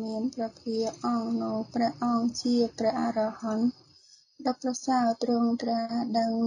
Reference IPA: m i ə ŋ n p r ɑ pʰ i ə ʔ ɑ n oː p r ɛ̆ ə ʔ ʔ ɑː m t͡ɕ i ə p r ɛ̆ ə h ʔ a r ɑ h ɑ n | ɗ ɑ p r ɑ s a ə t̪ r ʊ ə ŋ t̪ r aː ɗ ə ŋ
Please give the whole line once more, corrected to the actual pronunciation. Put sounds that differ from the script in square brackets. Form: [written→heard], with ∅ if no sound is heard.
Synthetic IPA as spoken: m i ə [ŋ→∅] n p r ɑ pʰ i ə ʔ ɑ n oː p r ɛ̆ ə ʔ ʔ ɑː [m→ŋ] t͡ɕ i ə p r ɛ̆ ə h ʔ a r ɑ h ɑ n | ɗ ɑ p r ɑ s a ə t̪ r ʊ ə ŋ t̪ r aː ɗ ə ŋ